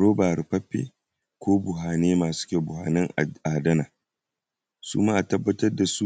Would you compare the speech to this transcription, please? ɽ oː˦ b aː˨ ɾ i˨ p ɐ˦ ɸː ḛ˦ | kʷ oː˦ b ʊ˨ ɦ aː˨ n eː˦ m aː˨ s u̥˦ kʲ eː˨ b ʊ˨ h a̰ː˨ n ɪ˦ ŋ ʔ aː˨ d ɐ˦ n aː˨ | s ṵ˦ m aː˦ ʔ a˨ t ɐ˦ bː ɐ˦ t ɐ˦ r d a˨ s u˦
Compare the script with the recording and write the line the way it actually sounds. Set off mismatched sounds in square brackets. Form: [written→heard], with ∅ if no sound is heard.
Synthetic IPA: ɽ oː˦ b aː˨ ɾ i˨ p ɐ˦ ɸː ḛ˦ | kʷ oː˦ b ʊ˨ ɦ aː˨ n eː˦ m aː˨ s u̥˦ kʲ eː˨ b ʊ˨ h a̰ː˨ n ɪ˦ ŋ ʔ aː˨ d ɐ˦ n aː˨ | s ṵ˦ m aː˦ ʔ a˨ t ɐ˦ bː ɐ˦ t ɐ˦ r d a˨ s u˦

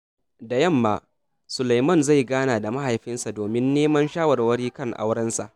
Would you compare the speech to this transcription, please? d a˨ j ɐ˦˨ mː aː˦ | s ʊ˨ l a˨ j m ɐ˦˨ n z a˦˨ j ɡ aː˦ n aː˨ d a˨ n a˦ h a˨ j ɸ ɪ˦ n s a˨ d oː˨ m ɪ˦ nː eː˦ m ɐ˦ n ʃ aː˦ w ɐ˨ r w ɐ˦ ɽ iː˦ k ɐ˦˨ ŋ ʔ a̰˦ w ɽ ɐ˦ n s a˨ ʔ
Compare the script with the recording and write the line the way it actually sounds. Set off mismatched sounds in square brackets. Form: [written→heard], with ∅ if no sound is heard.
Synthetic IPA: d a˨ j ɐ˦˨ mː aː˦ | s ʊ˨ l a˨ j m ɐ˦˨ n z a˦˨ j ɡ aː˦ n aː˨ d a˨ [n→m] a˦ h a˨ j ɸ ɪ˦ n s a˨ d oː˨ m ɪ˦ nː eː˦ m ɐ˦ n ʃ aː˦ w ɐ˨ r w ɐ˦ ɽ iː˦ k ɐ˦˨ ŋ ʔ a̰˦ w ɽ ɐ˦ n s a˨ ʔ

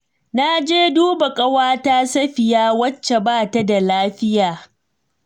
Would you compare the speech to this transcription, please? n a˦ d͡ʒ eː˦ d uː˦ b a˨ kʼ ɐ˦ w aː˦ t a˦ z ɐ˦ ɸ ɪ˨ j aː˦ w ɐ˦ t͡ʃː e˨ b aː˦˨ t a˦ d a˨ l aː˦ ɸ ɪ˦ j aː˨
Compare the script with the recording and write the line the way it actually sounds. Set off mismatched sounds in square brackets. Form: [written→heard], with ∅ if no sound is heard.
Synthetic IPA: n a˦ d͡ʒ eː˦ d uː˦ b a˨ kʼ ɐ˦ w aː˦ t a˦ [z→s] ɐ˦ ɸ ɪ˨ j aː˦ w ɐ˦ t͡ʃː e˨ b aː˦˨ t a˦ d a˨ l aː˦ ɸ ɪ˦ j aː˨

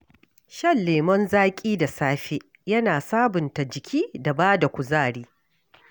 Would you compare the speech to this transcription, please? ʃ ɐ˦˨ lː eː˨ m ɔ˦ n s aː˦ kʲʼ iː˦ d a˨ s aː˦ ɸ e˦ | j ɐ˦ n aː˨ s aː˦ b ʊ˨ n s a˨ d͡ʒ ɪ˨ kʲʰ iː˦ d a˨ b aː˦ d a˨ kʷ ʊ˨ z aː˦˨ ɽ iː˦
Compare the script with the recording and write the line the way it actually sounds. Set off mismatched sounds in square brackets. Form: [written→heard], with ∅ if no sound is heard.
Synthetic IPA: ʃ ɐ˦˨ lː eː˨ m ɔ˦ n [s→z] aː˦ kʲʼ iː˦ d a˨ s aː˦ ɸ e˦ | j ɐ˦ n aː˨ s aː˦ b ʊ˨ n [s→t] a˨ d͡ʒ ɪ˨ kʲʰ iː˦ d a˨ b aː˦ d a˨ kʷ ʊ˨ z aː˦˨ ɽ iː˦

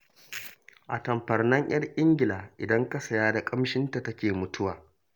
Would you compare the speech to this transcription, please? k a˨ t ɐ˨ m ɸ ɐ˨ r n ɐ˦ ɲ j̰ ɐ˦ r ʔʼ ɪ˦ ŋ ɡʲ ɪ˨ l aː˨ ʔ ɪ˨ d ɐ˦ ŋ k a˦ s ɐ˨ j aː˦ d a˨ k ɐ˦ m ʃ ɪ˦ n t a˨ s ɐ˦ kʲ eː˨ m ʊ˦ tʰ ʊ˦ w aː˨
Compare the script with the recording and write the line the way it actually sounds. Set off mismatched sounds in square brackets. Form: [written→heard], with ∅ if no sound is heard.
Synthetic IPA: [k→ʔ] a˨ t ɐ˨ m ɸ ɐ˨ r n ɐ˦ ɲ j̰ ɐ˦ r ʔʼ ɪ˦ ŋ ɡʲ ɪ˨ l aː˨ ʔ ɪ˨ d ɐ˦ ŋ k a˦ s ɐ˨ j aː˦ d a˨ [k→kʼ] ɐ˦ m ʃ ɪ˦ n t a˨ [s→t] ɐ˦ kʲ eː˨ m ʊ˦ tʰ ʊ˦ w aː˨

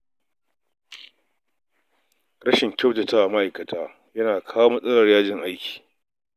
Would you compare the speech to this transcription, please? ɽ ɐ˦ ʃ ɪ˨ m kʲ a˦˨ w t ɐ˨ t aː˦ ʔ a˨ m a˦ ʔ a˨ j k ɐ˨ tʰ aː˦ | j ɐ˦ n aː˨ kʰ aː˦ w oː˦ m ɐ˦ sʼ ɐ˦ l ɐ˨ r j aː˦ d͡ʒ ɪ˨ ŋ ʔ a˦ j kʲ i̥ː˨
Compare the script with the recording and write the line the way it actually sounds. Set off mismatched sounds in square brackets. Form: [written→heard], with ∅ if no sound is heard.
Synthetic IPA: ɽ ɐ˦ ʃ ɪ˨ [m→ŋ] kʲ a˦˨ w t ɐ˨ t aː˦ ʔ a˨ m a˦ ʔ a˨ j k ɐ˨ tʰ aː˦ | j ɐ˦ n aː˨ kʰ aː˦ w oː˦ m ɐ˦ sʼ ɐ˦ l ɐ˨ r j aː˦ d͡ʒ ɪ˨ ŋ ʔ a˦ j kʲ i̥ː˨

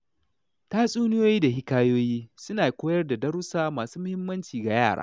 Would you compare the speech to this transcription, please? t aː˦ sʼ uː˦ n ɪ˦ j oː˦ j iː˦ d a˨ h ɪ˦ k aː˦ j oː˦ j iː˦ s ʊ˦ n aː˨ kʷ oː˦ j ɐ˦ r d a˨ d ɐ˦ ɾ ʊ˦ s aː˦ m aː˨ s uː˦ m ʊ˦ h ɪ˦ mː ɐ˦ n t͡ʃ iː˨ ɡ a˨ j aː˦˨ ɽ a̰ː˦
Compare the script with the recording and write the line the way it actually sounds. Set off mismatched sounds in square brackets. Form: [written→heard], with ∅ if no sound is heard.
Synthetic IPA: t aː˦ sʼ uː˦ n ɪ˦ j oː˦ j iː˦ d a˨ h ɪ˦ k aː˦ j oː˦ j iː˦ s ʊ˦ n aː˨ kʷ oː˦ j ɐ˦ r d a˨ d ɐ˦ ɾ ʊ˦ s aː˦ m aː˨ s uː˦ m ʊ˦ h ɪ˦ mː ɐ˦ n t͡ʃ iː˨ ɡ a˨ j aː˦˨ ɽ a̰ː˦

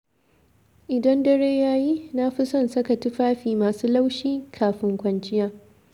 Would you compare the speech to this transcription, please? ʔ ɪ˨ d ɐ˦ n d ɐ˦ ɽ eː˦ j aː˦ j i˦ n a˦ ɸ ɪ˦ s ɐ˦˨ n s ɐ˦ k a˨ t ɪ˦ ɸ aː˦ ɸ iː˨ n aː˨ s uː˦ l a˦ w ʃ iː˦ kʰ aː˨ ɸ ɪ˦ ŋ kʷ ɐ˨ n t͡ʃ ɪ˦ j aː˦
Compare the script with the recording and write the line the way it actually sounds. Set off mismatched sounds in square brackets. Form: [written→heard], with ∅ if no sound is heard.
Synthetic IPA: ʔ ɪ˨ d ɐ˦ n d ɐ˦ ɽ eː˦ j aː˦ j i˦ n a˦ ɸ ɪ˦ s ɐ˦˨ n s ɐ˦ k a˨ t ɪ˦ ɸ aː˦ ɸ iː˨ [n→m] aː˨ s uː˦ l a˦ w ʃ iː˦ kʰ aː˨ ɸ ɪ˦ ŋ kʷ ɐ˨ n t͡ʃ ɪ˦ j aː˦

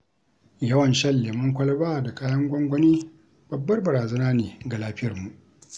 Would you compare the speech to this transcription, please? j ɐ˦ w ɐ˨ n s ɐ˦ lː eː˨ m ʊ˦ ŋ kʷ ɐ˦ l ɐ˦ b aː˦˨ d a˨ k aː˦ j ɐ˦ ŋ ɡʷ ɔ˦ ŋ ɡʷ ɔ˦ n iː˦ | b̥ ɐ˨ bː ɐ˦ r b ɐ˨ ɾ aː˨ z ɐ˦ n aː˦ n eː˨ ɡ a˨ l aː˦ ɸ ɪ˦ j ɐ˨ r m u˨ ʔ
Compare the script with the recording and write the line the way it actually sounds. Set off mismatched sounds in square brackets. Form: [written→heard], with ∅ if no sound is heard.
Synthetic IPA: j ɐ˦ w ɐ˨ n [s→ʃ] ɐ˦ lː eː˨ m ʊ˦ ŋ kʷ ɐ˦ l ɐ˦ b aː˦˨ d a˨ k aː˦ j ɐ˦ ŋ ɡʷ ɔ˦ ŋ ɡʷ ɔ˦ n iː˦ | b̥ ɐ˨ bː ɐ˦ r b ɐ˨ ɾ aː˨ z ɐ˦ n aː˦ n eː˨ ɡ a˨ l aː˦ ɸ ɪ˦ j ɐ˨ r m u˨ ʔ

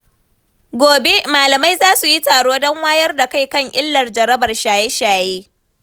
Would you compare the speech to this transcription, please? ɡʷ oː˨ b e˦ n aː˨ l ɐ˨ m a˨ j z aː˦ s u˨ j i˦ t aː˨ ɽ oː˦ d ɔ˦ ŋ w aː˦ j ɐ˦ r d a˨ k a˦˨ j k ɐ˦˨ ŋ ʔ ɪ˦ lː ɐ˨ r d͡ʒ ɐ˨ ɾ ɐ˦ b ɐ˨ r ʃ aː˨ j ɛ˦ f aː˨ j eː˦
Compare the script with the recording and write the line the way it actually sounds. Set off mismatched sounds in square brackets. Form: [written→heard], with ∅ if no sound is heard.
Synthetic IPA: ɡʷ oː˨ b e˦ [n→m] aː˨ l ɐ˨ m [a˨→a˦] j z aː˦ s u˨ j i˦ t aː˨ ɽ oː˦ d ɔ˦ ŋ w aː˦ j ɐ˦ r d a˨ k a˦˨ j k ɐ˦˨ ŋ ʔ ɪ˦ lː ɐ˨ r d͡ʒ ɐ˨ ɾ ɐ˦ b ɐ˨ r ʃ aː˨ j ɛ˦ [f→ʃ] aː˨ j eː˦

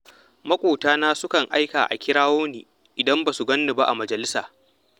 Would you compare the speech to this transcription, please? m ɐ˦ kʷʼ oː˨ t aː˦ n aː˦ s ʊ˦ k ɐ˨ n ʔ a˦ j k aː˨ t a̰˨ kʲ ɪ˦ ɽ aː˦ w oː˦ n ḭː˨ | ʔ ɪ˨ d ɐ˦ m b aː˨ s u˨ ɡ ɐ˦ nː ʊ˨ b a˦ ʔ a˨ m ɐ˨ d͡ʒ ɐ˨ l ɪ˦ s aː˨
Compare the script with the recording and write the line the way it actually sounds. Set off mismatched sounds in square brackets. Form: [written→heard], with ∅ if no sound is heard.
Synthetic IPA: m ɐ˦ kʷʼ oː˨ t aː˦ n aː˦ s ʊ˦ k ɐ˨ [n→ŋ] ʔ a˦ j k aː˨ [t→ʔ] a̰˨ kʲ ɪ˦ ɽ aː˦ w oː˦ n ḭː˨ | ʔ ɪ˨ d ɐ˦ m b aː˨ s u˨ ɡ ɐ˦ nː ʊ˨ b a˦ ʔ a˨ m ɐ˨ d͡ʒ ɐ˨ l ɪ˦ s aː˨

